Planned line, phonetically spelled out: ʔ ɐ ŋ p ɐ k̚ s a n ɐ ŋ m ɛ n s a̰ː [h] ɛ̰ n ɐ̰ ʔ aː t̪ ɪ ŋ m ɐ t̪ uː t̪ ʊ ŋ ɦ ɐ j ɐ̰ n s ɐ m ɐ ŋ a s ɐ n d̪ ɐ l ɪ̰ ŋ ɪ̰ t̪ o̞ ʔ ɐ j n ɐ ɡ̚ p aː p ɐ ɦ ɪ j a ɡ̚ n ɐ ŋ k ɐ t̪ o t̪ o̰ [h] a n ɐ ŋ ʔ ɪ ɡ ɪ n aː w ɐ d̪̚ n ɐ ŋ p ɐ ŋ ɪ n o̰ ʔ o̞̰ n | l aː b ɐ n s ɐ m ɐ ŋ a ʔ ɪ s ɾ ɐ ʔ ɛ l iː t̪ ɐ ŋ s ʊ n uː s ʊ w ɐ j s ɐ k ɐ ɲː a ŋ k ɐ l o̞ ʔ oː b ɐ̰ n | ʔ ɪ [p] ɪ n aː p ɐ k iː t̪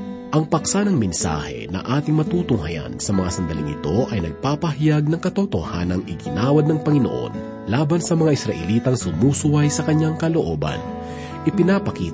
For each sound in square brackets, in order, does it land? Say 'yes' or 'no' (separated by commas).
yes, yes, yes